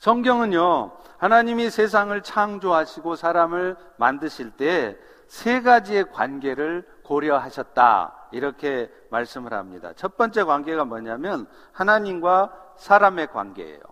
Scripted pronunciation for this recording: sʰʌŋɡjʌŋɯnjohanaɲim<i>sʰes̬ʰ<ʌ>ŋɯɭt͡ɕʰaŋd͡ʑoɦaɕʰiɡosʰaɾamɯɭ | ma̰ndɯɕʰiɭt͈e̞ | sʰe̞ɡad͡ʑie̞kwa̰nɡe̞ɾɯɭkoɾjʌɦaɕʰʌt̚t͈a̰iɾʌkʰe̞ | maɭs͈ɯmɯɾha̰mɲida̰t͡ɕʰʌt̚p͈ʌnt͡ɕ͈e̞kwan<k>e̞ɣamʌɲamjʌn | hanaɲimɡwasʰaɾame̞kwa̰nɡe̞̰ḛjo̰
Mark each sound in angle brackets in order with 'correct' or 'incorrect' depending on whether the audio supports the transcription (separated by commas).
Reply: correct, incorrect, incorrect